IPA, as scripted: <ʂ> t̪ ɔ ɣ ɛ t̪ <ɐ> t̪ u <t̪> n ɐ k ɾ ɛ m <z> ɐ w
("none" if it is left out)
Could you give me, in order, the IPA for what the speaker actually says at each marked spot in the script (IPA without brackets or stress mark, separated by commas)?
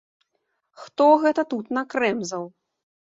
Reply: x, ɐ, t̪, z